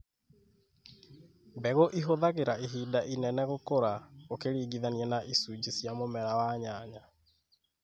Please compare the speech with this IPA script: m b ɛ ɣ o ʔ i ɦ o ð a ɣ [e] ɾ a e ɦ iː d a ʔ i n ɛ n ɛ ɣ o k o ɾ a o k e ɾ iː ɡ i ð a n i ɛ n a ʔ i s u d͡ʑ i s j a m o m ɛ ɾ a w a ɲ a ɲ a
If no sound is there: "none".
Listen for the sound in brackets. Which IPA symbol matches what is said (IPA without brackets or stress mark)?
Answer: e